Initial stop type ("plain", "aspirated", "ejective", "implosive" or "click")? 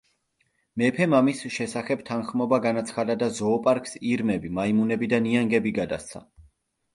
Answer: aspirated